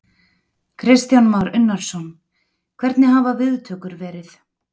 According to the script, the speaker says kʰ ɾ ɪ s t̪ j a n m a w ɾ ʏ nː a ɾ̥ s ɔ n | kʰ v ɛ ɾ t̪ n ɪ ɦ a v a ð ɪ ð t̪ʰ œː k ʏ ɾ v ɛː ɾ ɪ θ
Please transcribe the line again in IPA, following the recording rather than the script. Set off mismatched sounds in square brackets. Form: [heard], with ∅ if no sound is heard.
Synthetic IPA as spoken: kʰ ɾ ɪ s t̪ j a n m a w ɾ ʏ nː a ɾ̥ s ɔ n | kʰ v ɛ ɾ t̪ n ɪ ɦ a v a [v] ɪ ð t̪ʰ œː k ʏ ɾ v ɛː ɾ ɪ θ